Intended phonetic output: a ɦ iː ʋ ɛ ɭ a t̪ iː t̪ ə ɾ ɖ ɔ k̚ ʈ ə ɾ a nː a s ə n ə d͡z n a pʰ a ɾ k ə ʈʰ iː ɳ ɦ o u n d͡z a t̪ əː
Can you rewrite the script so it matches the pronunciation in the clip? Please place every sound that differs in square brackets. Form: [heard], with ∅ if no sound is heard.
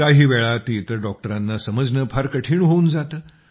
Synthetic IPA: a ɦ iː ʋ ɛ ɭ a t̪ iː t̪ ə ɾ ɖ ɔ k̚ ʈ ə ɾ a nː a s ə [m] ə d͡z n [ə] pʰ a ɾ k ə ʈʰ iː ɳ ɦ o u n d͡z a t̪ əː

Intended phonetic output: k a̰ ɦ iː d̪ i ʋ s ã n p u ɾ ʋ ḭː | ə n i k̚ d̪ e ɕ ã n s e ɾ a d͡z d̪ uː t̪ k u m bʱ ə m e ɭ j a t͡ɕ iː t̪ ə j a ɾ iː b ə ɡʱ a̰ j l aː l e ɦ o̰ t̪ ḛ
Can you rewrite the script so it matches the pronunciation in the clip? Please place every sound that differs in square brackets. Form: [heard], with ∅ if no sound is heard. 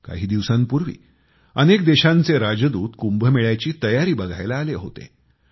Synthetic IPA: k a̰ ɦ iː d̪ i ʋ s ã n p u ɾ ʋ ḭː | ə n [e] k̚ d̪ e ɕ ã n [t͡s] e ɾ a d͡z d̪ uː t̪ k u m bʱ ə m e ɭ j a t͡ɕ iː t̪ ə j a ɾ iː b ə ɡʱ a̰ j l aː l e ɦ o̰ t̪ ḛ

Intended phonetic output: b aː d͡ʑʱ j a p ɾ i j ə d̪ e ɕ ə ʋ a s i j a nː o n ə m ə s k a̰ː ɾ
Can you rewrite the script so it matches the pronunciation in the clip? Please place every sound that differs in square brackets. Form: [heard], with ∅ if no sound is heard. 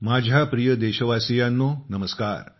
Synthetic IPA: [m] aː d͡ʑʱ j a p ɾ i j ə d̪ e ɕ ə ʋ a s i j a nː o n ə m ə s k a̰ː ɾ

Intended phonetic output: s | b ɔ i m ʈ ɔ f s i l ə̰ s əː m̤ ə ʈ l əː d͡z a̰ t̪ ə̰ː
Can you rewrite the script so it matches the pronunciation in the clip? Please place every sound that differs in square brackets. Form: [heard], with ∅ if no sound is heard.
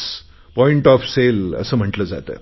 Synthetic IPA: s | [p] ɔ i [ɳ] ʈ ɔ f s [e] l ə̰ s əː m̤ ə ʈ l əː d͡z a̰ t̪ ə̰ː

